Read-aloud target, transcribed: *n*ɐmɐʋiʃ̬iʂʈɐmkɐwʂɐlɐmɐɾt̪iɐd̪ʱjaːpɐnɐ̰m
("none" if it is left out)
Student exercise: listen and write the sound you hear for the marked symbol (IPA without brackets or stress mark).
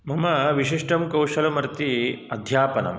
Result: m